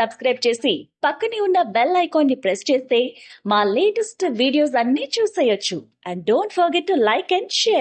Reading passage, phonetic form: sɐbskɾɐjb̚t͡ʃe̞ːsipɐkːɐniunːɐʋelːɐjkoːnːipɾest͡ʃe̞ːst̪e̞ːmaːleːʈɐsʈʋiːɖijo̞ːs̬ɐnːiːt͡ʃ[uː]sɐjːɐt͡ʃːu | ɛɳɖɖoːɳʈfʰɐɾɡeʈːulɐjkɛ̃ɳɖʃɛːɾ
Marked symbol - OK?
yes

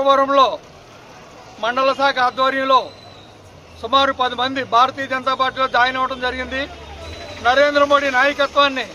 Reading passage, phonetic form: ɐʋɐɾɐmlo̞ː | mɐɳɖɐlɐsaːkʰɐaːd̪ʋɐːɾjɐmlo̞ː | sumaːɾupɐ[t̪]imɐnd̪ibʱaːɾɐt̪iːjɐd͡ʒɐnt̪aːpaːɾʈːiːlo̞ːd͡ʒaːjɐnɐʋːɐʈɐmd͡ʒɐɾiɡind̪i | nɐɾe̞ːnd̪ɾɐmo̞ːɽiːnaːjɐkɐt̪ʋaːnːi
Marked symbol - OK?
no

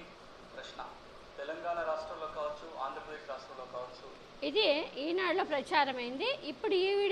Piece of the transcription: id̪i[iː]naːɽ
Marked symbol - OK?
yes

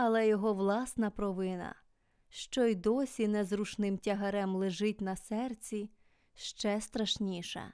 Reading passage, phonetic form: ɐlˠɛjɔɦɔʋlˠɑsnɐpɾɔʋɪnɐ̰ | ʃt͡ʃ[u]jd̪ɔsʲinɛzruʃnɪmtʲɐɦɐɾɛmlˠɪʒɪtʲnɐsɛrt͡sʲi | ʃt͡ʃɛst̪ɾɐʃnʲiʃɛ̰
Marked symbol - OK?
no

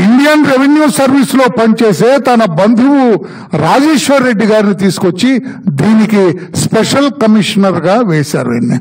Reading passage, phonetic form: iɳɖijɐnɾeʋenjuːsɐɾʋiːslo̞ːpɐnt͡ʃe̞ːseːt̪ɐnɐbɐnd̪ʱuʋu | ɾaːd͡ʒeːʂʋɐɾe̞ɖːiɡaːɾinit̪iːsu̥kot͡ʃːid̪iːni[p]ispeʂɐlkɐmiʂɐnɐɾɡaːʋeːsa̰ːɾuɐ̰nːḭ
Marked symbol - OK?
no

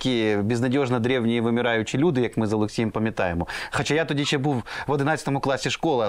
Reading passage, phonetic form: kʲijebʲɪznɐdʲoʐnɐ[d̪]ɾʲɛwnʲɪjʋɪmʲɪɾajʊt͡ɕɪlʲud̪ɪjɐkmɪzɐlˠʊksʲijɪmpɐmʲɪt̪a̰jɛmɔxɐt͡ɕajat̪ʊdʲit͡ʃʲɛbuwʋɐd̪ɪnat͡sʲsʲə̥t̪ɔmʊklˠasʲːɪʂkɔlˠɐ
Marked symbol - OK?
yes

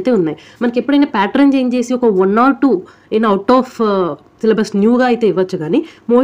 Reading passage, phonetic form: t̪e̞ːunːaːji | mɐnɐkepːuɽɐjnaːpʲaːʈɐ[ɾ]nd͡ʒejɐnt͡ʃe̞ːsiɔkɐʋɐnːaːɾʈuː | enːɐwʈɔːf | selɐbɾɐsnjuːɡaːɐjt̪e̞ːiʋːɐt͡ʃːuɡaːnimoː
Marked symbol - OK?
yes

